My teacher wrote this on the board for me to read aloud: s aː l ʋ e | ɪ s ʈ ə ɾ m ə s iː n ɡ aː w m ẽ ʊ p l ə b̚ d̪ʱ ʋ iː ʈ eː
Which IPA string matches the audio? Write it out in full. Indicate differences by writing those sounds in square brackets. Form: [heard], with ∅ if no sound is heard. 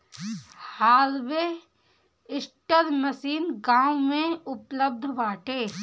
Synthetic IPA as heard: [h] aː l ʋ e | ɪ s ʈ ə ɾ m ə s iː n ɡ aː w m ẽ ʊ p l ə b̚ d̪ʱ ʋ [aː] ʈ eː